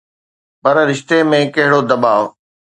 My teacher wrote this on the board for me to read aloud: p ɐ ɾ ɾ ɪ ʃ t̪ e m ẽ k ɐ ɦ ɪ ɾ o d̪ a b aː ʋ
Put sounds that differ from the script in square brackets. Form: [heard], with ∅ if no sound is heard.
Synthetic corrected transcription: p ɐ ɾ ɾ ɪ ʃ t̪ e m ẽ k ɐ ɦ ɪ [ɽ] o d̪ [ɐ] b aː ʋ